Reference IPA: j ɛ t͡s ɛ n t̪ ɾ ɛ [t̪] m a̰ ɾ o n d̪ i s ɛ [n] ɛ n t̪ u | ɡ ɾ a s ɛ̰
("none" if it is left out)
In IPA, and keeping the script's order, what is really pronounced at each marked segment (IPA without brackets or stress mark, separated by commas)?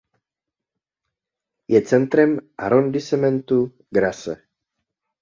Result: none, m